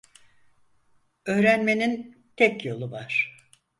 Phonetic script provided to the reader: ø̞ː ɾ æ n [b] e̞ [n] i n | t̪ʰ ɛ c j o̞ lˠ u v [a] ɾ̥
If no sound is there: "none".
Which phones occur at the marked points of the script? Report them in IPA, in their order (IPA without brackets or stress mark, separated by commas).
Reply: m, n, a